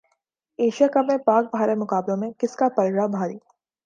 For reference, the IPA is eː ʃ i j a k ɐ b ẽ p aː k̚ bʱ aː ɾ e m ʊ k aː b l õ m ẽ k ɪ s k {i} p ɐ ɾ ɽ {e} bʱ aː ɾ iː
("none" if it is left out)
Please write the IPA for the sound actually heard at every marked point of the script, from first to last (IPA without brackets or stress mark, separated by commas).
a, a